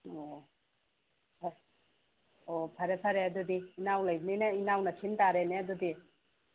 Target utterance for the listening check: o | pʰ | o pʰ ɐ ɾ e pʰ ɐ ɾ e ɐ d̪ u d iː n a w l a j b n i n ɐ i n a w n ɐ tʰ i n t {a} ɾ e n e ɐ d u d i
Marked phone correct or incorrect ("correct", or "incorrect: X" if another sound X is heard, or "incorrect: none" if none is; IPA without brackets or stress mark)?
correct